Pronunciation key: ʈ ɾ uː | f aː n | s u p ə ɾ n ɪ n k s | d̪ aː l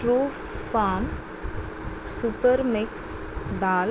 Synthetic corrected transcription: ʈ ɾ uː | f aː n | s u p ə ɾ m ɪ k s | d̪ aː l

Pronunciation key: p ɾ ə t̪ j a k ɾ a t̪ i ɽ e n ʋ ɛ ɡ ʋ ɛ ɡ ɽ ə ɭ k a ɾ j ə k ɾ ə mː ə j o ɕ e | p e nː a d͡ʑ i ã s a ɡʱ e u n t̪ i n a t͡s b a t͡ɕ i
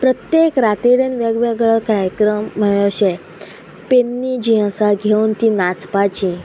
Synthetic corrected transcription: p ɾ ə t̪ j e k ɾ a t̪ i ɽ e n ʋ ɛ ɡ ʋ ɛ ɡ ɭ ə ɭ k a ɾ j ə k ɾ ə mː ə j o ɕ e | p e nː i d͡ʑ i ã s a ɡʱ e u n t̪ i n a t͡s p a t͡ɕ i

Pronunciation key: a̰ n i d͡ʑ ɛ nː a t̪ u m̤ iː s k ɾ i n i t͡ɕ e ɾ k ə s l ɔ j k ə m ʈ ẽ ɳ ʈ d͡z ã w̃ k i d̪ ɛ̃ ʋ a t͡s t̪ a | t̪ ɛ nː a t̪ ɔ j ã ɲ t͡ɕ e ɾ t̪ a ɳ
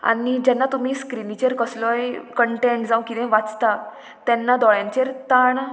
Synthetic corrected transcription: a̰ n i d͡ʑ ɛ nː a t̪ u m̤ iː s k ɾ i n i t͡ɕ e ɾ k ə s l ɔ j k ə ɳ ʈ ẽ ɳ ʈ d͡z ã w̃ k i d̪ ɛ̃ ʋ a t͡s t̪ a | t̪ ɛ nː a d̪ ɔ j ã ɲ t͡ɕ e ɾ t̪ a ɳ

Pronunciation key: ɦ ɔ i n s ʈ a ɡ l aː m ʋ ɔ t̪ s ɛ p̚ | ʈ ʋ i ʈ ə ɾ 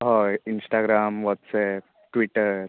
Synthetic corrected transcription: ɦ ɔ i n s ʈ a ɡ ɾ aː m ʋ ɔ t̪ s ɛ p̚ | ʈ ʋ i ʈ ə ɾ

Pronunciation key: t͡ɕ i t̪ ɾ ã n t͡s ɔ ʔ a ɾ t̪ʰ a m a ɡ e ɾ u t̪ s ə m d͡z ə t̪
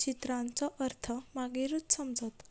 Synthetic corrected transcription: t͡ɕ i t̪ ɾ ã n t͡s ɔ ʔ ə ɾ t̪ʰ ə m a ɡ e ɾ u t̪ s ə m d͡z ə t̪

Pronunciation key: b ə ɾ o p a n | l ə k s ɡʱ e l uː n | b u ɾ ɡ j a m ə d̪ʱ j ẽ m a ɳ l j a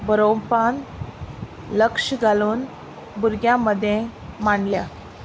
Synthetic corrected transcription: b ə ɾ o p a n | l ə k ʂ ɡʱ a l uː n | b u ɾ ɡ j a m ə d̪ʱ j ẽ m a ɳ l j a

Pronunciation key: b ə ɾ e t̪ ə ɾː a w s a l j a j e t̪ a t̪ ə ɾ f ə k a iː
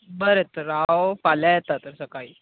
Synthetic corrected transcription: b ə ɾ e t̪ ə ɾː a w f a l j a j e t̪ a t̪ ə ɾ s ə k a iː

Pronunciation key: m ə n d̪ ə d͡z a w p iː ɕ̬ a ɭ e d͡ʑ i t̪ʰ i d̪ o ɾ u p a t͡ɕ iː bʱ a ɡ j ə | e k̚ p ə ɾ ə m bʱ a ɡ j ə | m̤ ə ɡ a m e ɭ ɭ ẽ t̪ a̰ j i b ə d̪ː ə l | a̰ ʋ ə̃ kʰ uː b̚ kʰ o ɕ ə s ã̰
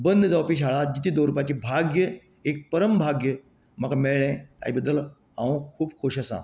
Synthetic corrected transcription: b ə n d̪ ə d͡z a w p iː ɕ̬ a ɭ a d͡ʑ i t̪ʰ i d̪ o ɾ u p a t͡ɕ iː bʱ a ɡ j ə | e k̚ p ə ɾ ə m bʱ a ɡ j ə | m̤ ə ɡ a m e ɭ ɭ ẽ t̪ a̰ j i b ə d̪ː ə l | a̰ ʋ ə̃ kʰ uː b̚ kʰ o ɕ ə s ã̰

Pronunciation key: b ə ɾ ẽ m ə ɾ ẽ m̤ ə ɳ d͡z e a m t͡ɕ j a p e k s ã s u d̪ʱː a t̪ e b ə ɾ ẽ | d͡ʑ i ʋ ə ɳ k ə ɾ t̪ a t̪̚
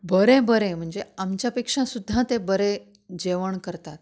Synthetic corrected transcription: b ə ɾ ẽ b ə ɾ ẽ m̤ ə ɳ d͡z e a m t͡ɕ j a p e k ʂ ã s u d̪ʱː a t̪ e b ə ɾ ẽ | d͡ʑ e ʋ ə ɳ k ə ɾ t̪ a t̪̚

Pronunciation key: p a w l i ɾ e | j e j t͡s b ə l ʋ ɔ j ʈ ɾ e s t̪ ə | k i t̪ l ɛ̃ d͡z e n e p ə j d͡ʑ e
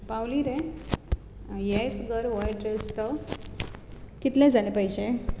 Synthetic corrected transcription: p a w l i ɾ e | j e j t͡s ɡ ə ɾ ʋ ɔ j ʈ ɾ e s t̪ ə | k i t̪ l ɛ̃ d͡z a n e p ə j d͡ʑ e

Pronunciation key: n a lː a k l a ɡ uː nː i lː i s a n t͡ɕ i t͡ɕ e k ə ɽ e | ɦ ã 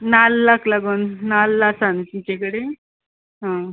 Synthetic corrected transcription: n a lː a k l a ɡ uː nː a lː a s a n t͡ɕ i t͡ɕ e k ə ɽ e | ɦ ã

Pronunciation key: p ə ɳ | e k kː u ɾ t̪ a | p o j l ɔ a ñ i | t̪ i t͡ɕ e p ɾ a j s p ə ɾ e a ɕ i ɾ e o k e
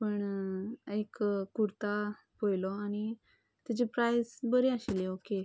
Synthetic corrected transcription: p ə ɳ | e k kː u ɾ t̪ a | p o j l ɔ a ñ i | t̪ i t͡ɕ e p ɾ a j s b ə ɾ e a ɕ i l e o k e

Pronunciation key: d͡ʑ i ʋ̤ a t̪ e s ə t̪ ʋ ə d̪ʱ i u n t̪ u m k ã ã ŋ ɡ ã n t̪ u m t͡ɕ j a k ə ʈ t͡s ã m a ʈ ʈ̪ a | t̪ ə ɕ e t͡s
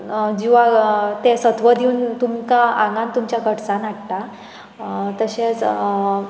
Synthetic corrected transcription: d͡ʑ i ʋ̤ a t̪ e s ə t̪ ʋ ə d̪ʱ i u n t̪ u m k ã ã ŋ ɡ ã n t̪ u m t͡ɕ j a k ə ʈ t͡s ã n a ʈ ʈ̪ a | t̪ ə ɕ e t͡s

